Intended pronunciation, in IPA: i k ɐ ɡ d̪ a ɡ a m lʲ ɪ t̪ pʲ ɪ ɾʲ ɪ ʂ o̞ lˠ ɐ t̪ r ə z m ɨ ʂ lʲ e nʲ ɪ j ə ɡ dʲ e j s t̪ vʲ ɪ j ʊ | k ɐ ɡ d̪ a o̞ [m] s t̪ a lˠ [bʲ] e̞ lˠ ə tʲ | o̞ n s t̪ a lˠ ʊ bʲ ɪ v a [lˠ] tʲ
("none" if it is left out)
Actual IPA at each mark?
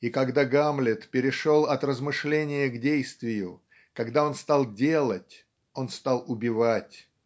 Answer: n, dʲ, none

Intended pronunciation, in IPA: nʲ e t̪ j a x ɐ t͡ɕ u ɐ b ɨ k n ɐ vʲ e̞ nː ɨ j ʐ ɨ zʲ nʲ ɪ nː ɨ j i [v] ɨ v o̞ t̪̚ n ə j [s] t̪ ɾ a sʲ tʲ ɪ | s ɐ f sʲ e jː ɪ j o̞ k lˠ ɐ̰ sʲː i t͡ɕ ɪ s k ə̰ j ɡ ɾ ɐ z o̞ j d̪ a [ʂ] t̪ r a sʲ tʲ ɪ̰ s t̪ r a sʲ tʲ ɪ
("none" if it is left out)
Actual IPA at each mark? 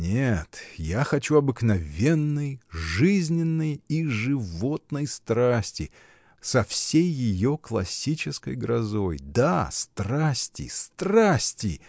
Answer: ʐ, s, s

